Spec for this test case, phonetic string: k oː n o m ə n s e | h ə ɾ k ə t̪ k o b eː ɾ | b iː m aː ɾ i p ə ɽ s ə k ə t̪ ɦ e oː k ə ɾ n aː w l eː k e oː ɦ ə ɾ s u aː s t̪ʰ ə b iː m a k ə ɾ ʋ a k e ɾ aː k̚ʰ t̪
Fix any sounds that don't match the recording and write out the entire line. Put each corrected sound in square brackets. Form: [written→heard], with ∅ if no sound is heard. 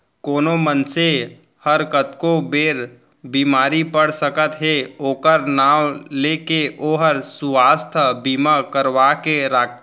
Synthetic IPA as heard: k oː n o m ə n s e | h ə ɾ k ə t̪ k o b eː ɾ | b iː m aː ɾ i p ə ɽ s ə k ə t̪ ɦ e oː k ə ɾ n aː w l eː k e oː ɦ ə ɾ s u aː s t̪ʰ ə b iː m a k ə ɾ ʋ a k e ɾ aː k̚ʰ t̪